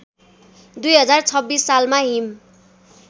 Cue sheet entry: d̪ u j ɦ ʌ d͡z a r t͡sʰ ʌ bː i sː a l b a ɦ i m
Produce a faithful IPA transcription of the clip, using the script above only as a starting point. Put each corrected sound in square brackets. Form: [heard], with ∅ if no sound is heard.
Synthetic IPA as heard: d̪ u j ɦ ʌ d͡z a r t͡sʰ ʌ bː i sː a l [m] a ɦ i m